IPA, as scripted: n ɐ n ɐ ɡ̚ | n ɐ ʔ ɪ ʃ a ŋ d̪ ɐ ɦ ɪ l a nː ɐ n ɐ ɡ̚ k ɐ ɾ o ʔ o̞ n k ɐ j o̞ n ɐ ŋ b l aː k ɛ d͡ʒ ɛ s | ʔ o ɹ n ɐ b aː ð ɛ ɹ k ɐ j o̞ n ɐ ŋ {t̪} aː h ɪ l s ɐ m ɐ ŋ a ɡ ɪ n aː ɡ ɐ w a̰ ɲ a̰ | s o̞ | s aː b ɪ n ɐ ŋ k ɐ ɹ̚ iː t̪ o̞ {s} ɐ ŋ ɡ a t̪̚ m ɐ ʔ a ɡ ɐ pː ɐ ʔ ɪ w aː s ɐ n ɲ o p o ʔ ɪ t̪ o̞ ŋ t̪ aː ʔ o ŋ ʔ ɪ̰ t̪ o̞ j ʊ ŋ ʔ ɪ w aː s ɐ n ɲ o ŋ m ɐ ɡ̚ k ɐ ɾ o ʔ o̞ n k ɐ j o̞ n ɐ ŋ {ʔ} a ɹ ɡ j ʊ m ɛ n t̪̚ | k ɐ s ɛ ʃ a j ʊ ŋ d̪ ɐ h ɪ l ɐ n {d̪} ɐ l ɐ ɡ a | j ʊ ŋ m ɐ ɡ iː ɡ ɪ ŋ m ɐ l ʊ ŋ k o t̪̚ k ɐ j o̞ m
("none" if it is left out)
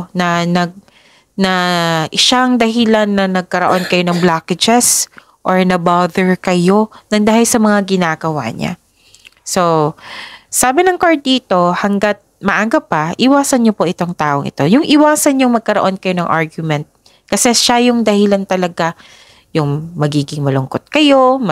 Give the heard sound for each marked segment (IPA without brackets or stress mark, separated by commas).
d̪, h, ʔ, t̪